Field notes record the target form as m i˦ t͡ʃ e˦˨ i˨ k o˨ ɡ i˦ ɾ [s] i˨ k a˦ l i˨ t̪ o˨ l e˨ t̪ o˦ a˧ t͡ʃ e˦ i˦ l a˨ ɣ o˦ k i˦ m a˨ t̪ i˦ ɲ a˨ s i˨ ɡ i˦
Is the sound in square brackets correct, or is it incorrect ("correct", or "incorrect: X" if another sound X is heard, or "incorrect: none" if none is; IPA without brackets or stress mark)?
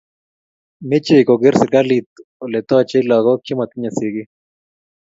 correct